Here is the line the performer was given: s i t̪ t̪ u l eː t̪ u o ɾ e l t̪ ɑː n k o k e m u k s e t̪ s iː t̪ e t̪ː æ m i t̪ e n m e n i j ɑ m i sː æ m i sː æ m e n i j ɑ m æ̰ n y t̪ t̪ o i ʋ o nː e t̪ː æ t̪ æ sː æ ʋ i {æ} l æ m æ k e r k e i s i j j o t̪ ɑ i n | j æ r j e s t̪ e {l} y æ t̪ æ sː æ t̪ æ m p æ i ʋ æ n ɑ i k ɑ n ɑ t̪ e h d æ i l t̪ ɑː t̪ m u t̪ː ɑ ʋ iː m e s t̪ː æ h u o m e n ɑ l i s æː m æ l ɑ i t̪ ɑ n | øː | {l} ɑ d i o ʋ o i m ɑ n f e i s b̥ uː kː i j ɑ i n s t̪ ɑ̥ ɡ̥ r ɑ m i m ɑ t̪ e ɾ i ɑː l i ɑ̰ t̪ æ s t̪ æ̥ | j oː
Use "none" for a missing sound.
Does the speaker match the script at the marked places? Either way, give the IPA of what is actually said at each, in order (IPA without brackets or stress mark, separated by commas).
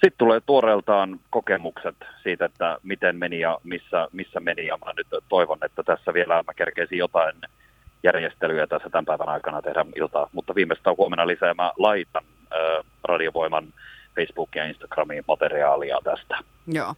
e, l, r